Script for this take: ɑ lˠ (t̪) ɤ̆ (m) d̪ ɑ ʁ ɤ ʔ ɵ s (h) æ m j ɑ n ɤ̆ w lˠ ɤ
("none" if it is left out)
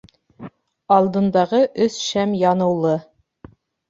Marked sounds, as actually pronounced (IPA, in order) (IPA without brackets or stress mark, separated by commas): d̪, n, ʃ